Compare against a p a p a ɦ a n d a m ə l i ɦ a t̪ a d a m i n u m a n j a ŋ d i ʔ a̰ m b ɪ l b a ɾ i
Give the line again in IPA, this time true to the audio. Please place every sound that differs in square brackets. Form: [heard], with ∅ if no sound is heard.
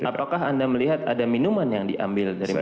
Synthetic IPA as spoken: a p a [k] a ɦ a n d a m ə l i ɦ a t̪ a d a m i n u m a n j a ŋ d i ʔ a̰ m b ɪ l [d] a ɾ i

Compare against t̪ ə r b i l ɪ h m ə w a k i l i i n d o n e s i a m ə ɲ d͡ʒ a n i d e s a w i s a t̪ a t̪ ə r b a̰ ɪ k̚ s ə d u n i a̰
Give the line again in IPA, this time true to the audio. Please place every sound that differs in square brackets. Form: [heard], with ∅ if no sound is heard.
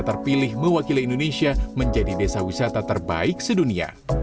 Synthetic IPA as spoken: t̪ ə r [p] i l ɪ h m ə w a k i l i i n d o n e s i a m ə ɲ d͡ʒ a [d] i d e s a w i s a t̪ a t̪ ə r b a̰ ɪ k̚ s ə d u n i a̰

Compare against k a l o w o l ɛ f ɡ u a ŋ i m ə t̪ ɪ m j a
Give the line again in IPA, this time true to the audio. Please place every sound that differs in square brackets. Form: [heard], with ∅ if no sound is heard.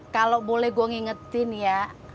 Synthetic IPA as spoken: k a l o [b] o l ɛ [h] ɡ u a ŋ i [ŋ] ə t̪ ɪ [n] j a

